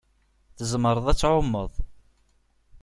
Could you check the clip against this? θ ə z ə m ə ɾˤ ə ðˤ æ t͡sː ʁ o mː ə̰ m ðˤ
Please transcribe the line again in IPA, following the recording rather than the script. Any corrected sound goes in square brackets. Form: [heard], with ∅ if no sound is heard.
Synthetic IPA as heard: θ ə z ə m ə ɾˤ ə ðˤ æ t͡sː [ʕ] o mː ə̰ [∅] ðˤ